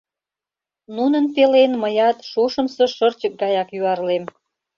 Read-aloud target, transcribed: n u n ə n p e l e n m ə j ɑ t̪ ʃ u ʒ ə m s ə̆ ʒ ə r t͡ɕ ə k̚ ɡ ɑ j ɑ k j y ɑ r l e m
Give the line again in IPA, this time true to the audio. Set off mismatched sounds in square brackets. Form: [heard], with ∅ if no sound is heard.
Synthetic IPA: n u n ə n p e l e n m ə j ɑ t̪ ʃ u [ʃ] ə m s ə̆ [ʃ] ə r t͡ɕ ə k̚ ɡ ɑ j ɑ k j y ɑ r l e m